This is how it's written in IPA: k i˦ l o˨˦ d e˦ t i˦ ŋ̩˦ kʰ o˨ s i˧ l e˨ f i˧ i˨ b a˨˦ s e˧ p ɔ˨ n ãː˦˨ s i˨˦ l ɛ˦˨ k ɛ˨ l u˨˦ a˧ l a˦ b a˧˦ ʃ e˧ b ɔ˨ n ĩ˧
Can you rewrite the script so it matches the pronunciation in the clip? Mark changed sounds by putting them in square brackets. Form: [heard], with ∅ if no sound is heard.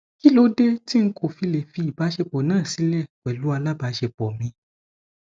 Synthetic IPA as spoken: k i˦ l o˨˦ d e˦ t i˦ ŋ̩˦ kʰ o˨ [f] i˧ l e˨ f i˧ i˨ b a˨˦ [ʃ] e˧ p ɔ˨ n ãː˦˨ s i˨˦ l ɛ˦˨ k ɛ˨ l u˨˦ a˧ l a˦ b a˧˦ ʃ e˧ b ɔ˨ [m] ĩ˧